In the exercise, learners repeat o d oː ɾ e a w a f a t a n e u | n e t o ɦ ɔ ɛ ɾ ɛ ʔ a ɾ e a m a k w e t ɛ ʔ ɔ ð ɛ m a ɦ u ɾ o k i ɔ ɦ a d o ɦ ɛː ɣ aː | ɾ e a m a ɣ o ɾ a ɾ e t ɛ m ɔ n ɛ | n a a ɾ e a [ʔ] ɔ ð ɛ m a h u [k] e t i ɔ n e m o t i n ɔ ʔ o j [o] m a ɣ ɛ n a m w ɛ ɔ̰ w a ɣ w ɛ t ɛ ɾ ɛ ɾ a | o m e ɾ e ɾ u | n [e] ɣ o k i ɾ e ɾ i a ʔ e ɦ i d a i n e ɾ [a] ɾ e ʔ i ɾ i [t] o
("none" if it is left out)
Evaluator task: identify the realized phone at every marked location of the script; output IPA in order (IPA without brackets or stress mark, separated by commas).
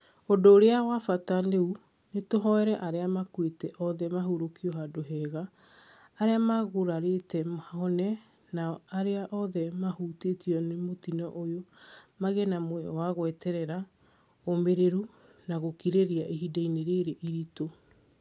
ʔ, t, o, a, e, t